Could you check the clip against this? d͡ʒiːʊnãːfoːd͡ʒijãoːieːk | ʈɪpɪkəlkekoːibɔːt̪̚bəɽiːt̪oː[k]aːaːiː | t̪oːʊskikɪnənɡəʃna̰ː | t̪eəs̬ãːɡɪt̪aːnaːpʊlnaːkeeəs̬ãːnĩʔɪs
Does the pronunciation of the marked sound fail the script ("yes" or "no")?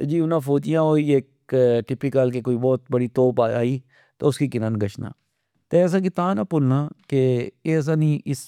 yes